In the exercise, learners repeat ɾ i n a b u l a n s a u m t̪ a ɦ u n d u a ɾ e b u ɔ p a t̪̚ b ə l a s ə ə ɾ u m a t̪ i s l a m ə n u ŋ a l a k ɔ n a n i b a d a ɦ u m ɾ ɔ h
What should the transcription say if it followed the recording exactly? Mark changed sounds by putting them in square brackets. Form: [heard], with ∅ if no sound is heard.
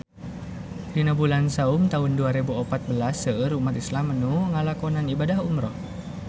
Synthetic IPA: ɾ i n a b u l a n s a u m t̪ a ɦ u n d u a ɾ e b u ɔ p a t̪̚ b ə l a s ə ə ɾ u m a t̪ i s l a m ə n u ŋ a l a k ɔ n a n i b a d a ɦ u m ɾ ɔ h